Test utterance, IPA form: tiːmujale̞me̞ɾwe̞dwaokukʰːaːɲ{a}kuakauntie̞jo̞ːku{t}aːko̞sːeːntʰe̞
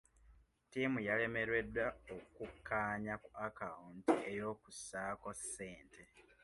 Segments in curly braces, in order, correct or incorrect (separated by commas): correct, incorrect